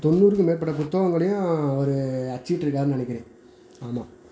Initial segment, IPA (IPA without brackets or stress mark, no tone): t̪